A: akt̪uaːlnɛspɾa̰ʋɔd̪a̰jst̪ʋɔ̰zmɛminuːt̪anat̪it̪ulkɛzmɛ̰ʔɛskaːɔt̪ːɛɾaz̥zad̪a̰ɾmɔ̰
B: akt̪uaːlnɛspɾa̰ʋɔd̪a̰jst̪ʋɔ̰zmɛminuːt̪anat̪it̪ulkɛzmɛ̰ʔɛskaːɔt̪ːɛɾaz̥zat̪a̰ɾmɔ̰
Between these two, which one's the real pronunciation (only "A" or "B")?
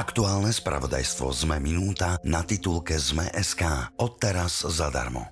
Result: A